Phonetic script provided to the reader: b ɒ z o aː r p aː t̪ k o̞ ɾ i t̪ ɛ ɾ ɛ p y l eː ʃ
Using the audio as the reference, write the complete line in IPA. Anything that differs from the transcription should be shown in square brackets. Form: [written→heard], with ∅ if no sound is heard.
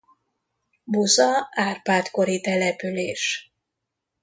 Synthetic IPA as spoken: b [ɒ→u] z [o→ɒ] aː r p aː t̪ k o̞ ɾ i t̪ ɛ [ɾ→l] ɛ p y l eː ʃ